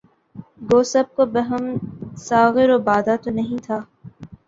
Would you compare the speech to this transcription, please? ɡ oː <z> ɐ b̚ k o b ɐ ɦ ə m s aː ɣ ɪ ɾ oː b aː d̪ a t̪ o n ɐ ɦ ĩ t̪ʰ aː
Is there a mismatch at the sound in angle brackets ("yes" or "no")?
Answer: yes